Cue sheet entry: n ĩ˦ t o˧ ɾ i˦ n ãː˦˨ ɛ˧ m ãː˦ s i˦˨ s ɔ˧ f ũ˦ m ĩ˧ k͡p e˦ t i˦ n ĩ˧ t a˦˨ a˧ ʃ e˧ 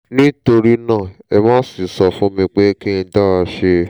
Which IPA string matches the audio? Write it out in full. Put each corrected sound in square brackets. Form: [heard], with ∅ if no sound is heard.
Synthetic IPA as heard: n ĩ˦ t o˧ ɾ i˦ n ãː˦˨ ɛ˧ m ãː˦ s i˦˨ s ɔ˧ f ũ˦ m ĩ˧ k͡p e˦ [k] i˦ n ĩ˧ [d] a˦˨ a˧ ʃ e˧